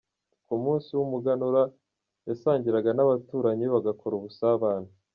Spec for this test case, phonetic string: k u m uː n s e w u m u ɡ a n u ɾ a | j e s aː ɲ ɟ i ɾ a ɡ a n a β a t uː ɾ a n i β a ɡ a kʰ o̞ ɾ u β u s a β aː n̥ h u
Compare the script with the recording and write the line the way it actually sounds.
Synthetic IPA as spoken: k u m uː n s i w u m u ɡ a n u ɾ a | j a s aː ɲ ɟ i ɾ a ɡ a n a β a t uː ɾ a ɲ i β a ɡ a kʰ o̞ ɾ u β u s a β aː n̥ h u